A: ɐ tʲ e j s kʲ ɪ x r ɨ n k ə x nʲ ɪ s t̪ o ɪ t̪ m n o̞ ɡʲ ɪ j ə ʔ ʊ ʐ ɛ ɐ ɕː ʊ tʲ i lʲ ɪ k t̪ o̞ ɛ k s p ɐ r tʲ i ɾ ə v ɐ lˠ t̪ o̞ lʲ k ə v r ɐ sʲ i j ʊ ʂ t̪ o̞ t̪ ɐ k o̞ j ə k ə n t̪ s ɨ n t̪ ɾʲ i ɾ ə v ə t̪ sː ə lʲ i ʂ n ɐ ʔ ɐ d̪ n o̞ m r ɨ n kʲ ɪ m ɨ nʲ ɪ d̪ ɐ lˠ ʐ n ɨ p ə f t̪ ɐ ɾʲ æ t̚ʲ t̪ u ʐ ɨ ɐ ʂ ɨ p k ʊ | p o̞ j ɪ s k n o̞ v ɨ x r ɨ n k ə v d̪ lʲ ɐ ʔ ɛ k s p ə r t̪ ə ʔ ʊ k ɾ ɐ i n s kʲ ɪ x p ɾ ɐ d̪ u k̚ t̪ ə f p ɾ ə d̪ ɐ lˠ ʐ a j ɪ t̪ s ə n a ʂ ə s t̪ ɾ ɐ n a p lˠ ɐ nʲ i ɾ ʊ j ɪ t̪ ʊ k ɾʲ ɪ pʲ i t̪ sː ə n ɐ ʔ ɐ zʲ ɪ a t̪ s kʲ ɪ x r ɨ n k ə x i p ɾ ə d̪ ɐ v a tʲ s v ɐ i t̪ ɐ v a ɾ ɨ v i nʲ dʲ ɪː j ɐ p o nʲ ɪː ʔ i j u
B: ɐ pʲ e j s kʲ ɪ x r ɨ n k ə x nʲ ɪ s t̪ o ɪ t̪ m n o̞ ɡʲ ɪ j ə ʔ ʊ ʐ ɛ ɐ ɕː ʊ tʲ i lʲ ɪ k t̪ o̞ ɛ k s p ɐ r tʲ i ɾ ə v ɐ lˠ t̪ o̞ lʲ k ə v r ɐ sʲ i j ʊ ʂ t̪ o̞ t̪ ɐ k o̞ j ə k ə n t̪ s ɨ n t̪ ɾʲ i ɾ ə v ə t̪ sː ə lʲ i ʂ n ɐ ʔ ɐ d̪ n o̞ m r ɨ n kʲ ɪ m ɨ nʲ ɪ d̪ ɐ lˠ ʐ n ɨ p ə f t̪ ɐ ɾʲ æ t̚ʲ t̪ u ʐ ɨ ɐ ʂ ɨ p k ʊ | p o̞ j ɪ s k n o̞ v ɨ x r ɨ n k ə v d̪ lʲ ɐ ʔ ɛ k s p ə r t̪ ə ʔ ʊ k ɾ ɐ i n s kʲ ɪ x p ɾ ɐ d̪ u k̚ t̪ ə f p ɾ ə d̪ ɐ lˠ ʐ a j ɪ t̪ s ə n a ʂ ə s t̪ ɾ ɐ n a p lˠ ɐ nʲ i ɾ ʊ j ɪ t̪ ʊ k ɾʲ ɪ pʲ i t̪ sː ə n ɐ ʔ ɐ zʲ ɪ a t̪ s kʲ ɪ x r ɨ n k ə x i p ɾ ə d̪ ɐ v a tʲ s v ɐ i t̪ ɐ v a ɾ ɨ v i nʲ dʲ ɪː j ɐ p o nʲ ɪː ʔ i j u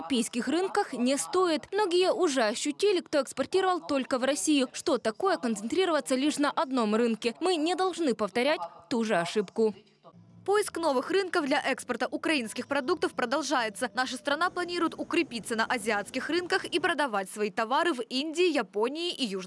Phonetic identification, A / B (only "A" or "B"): B